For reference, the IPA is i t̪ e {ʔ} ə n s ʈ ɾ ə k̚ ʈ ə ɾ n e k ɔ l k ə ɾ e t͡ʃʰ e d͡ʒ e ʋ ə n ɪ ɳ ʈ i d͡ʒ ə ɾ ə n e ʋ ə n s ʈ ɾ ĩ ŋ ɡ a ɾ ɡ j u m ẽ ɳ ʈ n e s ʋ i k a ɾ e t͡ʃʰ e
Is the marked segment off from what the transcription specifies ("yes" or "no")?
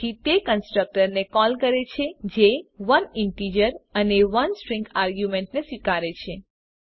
yes